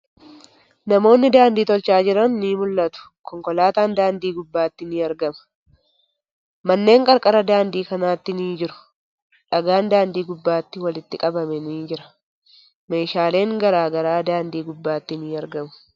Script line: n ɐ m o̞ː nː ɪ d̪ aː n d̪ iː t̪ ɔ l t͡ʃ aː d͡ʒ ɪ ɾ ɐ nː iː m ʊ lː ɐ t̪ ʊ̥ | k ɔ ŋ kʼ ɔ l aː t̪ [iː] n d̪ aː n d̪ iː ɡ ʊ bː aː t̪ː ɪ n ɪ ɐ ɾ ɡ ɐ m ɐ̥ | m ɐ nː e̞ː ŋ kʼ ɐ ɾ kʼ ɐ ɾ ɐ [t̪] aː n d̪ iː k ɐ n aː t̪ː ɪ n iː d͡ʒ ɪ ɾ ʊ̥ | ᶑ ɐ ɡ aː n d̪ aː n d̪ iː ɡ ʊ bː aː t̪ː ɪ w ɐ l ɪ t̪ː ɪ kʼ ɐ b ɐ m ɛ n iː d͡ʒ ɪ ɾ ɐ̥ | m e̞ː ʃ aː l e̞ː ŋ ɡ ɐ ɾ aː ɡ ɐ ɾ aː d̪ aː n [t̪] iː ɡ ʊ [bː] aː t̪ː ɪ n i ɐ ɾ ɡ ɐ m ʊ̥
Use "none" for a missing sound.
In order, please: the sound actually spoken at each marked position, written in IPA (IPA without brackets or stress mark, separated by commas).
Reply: aː, d̪, d̪, bː